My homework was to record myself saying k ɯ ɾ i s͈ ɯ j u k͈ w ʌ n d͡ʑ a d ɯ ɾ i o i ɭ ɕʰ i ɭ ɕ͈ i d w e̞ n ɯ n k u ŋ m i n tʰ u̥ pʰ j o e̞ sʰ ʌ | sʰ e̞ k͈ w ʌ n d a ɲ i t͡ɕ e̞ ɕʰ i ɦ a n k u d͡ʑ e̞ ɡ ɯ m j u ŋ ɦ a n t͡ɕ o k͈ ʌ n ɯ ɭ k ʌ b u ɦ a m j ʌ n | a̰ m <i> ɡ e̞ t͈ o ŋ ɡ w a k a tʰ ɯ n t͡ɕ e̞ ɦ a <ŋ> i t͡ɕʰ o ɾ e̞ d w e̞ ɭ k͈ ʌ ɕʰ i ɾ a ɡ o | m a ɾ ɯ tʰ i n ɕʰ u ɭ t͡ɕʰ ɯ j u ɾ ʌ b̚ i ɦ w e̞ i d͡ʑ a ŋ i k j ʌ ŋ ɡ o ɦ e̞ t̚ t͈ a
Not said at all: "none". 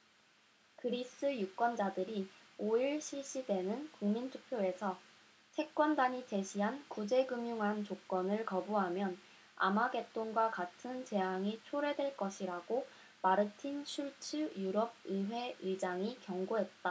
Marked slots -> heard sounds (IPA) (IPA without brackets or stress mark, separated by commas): a, ŋ